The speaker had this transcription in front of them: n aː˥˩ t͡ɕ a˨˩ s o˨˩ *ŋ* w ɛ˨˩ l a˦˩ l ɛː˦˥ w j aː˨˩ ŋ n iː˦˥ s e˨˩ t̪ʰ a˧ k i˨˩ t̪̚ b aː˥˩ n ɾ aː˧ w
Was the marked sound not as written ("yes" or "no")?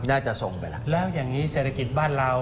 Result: no